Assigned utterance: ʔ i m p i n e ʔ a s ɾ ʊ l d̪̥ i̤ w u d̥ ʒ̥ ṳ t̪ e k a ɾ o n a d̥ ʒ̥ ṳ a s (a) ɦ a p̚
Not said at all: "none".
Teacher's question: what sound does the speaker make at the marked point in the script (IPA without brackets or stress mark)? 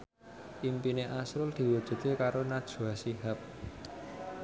i